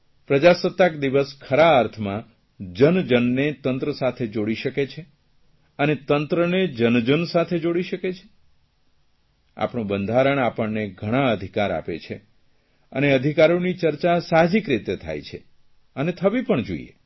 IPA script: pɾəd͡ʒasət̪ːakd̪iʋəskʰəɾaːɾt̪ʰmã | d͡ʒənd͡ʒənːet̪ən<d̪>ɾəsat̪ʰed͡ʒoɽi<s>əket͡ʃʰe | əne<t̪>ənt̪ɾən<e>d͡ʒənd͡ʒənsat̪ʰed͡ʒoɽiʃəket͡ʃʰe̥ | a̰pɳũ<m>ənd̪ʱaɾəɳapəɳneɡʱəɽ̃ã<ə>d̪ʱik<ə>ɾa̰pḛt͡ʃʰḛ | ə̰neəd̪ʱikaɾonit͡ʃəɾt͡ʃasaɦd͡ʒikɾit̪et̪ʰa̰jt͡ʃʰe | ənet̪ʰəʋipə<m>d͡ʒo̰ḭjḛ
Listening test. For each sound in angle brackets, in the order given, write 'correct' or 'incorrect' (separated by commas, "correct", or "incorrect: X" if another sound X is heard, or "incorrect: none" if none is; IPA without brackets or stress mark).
incorrect: t̪, incorrect: ʃ, correct, correct, incorrect: b, correct, incorrect: a, incorrect: ɳ